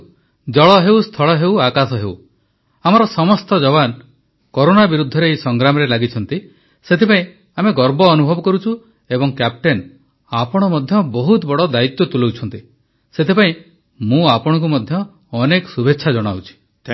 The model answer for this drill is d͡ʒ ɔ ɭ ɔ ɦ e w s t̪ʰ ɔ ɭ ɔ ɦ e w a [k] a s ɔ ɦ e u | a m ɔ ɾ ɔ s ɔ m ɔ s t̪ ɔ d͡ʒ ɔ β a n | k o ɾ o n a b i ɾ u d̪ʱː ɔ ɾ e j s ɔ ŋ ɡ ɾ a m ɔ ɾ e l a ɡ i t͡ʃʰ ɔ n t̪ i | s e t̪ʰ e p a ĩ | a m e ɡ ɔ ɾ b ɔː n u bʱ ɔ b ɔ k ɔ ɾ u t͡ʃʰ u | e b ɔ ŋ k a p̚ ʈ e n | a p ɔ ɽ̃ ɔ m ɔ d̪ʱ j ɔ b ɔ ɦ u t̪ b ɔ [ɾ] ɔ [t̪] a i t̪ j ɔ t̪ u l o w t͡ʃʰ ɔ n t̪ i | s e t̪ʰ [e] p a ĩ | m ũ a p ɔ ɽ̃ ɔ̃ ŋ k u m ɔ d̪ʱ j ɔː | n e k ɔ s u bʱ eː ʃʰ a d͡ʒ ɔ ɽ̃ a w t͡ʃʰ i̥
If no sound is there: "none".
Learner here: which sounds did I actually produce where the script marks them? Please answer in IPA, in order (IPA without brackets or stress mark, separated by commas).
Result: k, ɽ, d̪, e